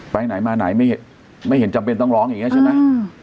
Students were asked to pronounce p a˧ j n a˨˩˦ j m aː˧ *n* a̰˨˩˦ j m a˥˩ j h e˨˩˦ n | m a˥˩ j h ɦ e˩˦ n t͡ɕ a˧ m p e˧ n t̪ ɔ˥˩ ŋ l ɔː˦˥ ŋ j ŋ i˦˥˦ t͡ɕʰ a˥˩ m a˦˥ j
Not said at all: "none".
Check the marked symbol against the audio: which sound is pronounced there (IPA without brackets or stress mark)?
n